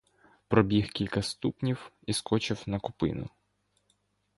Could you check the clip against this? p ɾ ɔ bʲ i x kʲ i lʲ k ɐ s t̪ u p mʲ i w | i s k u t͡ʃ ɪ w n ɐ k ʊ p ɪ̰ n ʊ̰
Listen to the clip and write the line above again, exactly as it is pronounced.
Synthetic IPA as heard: p ɾ ɔ bʲ i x kʲ i lʲ k ɐ s t̪ u p nʲ i w | i s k ɔ t͡ʃ ɪ w n ɐ k ʊ p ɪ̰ n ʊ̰